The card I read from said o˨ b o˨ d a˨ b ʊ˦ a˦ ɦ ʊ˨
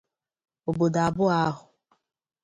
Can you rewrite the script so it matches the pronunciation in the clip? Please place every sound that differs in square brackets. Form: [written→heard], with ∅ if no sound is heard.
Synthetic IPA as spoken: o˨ b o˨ d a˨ b ʊ˦ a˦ ɦ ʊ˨